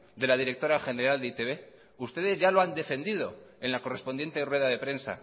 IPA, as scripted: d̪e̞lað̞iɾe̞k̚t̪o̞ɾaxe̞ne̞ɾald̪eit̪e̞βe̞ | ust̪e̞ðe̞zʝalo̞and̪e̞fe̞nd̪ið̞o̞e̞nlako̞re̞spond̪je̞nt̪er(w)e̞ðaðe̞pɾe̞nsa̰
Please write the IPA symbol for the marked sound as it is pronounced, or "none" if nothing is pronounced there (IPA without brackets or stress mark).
w